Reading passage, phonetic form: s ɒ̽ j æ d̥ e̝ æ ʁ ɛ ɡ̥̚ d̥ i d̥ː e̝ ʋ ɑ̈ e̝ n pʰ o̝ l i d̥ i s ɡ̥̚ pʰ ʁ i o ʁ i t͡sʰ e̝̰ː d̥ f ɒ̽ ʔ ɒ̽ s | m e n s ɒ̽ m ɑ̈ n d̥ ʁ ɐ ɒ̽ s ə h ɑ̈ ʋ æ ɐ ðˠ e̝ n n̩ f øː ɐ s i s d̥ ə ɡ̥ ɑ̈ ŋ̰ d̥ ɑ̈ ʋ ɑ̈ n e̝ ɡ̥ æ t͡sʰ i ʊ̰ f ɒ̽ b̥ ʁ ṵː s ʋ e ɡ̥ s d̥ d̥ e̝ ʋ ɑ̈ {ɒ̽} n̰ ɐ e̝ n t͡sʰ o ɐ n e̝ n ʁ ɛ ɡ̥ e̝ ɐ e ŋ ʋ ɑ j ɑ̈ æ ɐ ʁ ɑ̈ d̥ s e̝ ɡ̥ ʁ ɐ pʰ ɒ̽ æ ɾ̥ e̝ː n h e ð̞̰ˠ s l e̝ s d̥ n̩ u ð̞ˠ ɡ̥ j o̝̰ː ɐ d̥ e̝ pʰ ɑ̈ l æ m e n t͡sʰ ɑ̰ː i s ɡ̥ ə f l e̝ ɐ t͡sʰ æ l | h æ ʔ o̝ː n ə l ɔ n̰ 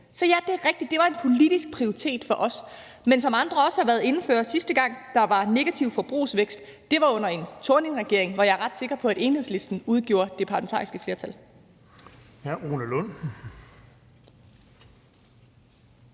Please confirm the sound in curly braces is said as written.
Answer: no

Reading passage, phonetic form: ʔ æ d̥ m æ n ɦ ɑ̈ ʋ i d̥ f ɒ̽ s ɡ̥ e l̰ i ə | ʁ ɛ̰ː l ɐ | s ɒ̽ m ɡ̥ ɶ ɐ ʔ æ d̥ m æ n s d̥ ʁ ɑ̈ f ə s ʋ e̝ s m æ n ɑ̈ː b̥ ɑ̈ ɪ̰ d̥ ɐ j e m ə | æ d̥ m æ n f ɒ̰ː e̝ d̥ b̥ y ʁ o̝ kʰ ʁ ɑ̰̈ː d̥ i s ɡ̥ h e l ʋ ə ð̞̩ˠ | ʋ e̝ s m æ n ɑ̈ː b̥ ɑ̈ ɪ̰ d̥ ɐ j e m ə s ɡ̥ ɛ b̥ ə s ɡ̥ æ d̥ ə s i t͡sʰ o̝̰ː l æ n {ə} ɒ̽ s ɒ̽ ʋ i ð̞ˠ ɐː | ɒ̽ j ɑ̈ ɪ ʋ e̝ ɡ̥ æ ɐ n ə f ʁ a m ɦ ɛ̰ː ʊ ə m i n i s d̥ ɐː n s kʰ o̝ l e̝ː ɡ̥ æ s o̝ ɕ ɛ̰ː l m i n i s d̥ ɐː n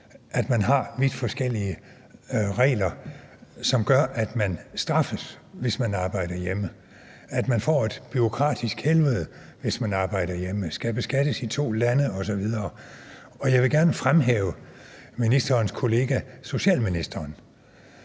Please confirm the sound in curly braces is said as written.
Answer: yes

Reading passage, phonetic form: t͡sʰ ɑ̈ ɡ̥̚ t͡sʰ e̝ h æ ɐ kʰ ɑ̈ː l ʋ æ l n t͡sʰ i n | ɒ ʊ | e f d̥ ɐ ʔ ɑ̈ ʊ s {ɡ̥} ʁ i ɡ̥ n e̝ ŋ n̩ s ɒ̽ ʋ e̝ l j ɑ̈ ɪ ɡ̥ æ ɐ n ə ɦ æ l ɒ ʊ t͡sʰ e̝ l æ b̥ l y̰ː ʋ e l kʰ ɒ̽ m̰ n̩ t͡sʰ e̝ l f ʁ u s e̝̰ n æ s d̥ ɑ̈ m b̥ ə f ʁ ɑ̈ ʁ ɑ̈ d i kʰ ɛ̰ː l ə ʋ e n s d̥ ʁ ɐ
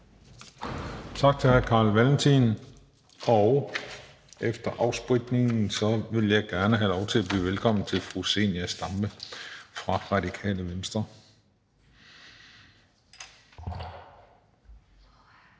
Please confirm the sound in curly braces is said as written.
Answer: no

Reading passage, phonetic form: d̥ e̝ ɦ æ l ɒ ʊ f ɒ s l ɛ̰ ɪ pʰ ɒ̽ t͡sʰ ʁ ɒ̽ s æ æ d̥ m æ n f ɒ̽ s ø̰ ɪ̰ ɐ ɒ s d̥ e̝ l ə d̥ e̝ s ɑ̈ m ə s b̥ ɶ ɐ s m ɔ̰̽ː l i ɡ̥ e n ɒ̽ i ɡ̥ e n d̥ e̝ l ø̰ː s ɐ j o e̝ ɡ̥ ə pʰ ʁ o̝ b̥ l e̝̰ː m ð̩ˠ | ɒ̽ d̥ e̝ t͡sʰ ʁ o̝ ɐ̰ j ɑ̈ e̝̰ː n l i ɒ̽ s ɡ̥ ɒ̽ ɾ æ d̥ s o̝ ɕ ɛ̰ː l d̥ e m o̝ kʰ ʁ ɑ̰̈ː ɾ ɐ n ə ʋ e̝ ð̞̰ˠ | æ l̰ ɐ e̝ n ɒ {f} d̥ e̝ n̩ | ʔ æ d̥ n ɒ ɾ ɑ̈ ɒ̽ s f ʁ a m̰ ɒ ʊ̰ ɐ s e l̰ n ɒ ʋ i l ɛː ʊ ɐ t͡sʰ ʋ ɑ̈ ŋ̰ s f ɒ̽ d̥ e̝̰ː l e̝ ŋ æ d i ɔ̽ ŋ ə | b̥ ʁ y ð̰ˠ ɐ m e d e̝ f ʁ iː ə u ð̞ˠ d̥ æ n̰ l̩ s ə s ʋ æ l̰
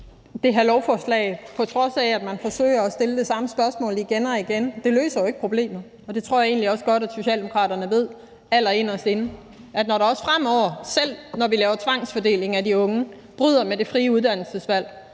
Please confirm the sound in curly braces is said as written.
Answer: no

